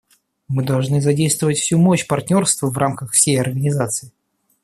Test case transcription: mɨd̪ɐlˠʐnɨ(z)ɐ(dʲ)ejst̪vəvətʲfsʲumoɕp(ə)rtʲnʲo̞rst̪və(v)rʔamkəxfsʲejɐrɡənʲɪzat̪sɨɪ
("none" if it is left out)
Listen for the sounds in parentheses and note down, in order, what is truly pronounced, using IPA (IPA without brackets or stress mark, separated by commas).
z, dʲ, ɐ, v